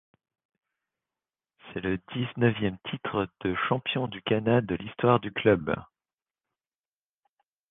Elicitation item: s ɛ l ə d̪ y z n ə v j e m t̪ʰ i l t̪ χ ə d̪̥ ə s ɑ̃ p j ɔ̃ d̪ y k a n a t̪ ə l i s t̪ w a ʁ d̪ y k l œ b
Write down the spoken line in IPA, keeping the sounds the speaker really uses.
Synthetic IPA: s ɛ l ə d̪ i z n ə v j ɛ m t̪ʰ i t̪ χ ə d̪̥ ə ʃ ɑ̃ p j ɔ̃ d̪ y k a n a d̪ ə l i s t̪ w a ʁ d̪ y k l œ b